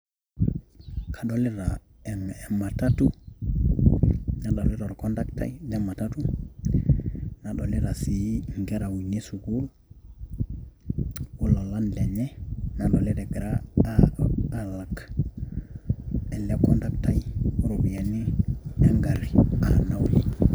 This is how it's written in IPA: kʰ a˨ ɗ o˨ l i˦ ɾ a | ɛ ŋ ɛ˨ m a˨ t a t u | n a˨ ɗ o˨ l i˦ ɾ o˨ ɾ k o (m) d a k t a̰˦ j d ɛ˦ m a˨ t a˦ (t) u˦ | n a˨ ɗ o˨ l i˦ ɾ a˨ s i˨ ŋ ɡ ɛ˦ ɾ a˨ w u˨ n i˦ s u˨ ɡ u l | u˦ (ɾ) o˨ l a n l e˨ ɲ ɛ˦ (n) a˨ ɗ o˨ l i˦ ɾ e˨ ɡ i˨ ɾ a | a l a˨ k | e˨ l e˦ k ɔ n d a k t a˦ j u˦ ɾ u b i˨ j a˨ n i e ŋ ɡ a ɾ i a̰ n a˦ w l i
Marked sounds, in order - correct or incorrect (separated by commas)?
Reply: incorrect, correct, incorrect, correct